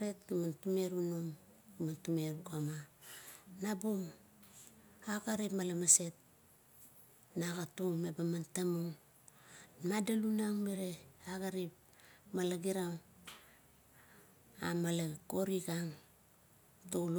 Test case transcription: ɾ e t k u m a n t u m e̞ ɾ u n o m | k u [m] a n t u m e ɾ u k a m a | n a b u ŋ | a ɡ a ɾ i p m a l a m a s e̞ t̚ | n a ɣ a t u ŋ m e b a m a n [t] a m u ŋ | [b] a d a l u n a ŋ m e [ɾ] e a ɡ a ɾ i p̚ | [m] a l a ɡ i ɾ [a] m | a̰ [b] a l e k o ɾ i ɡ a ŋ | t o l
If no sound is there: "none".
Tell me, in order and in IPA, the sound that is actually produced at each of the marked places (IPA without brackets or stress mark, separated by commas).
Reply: m, t, m, ɾ, m, a, m